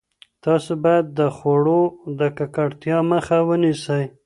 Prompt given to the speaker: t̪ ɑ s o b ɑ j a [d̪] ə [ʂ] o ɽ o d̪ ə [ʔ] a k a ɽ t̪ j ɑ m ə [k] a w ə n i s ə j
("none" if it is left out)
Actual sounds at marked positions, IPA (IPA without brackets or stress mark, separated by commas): d̪ː, x, k, x